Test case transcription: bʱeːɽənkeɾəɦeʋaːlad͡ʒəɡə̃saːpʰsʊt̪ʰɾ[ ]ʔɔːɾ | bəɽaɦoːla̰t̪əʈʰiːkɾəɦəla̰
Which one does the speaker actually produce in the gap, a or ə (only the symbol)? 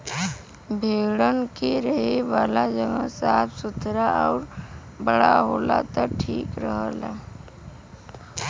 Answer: a